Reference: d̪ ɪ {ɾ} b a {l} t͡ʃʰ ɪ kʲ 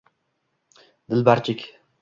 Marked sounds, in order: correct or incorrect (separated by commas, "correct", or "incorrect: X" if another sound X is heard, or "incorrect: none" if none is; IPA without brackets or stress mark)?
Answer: incorrect: l, incorrect: ɾ